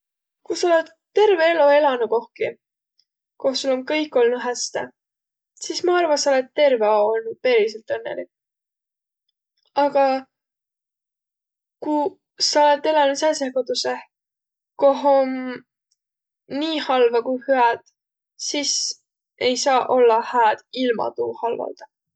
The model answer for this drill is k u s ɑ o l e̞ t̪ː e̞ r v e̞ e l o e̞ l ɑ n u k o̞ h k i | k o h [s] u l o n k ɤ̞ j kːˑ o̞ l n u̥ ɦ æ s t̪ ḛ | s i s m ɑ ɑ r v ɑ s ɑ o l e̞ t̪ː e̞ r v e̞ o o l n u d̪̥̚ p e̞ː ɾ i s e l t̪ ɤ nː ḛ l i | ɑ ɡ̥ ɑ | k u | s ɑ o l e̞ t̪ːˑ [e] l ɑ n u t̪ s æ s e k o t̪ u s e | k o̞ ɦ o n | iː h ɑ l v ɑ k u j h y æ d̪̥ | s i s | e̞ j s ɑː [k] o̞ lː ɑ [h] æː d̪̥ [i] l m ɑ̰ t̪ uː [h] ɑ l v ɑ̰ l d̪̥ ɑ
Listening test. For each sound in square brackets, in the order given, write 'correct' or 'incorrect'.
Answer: correct, correct, incorrect: ʔ, correct, correct, correct

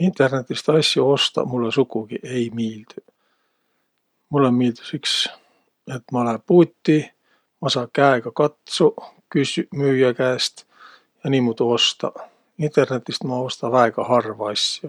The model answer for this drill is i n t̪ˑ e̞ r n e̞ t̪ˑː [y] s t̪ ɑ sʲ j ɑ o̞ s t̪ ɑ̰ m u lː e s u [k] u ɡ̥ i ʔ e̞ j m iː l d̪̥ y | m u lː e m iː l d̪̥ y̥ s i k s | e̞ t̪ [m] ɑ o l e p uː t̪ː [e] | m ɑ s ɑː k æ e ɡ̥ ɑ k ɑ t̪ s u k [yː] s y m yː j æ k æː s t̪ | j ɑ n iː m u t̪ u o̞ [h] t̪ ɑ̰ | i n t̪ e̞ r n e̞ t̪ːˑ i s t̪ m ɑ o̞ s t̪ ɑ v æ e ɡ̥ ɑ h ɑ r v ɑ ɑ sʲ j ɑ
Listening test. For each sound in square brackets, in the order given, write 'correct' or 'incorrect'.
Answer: incorrect: i, correct, correct, incorrect: i, incorrect: y, incorrect: s

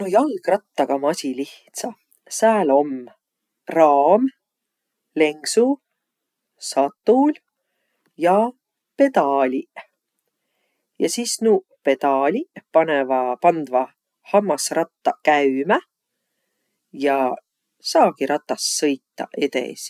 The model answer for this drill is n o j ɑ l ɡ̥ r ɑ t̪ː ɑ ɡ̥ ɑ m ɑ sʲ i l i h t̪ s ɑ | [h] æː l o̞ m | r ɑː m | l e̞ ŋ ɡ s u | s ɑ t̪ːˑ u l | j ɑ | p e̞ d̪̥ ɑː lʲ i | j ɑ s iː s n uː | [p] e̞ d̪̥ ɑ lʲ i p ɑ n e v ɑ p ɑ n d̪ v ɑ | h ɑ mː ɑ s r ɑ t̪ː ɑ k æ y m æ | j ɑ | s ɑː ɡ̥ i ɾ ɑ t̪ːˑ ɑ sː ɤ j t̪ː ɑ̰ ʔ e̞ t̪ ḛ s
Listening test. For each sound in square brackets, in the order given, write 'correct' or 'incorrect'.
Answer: incorrect: s, correct

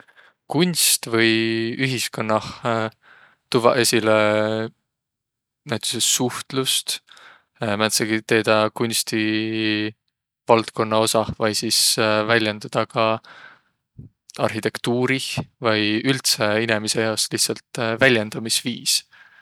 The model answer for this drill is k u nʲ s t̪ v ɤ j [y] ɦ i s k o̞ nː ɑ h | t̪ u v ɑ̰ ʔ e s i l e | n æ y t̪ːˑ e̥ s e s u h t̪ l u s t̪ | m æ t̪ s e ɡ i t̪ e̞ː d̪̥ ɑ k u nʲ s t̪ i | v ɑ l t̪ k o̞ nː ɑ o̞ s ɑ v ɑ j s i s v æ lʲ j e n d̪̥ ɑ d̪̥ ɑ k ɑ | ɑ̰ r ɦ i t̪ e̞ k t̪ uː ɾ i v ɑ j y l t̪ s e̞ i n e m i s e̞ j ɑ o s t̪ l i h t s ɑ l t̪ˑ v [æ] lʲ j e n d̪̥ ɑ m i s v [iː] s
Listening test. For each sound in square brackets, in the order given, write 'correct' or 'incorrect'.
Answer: correct, correct, correct

